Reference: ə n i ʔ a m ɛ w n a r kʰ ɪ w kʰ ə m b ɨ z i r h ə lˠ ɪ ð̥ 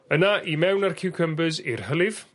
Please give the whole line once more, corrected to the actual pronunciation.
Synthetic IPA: ə n a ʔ i m ɛ w n a r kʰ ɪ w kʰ ə m b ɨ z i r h ə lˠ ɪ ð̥